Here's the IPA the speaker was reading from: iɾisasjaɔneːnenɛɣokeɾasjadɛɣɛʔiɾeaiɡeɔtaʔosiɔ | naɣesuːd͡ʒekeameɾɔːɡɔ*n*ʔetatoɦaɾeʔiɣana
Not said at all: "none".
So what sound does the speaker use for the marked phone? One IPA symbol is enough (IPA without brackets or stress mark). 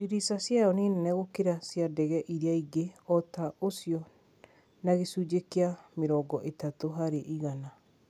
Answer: none